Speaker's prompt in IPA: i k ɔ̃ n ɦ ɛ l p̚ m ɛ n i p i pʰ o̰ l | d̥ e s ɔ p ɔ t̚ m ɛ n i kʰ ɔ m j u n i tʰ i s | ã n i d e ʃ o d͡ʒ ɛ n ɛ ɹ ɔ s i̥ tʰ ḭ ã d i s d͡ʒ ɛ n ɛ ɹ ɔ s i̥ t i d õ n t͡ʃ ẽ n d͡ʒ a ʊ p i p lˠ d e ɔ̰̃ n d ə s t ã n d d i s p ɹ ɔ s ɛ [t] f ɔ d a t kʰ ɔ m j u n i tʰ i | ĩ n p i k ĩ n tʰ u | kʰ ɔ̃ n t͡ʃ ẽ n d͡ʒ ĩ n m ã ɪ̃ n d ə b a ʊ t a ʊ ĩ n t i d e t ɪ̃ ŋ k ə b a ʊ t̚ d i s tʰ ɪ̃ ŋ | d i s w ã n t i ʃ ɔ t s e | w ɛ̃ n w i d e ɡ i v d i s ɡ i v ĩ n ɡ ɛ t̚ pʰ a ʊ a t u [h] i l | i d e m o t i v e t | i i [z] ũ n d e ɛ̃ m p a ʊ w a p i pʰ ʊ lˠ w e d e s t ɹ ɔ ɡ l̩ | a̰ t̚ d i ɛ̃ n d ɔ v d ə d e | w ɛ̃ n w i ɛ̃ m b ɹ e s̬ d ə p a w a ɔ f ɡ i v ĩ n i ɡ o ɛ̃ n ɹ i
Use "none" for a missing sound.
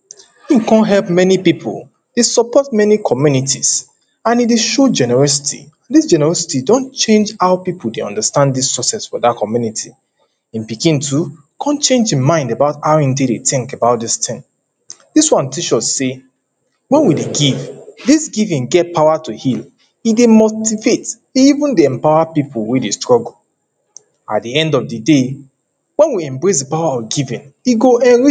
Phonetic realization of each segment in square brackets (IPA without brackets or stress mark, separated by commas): s, h, v